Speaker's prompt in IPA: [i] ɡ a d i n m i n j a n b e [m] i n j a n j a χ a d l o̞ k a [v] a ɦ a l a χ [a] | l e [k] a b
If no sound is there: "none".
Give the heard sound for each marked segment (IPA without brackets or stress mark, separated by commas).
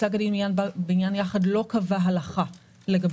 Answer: a, none, v, a, ɡ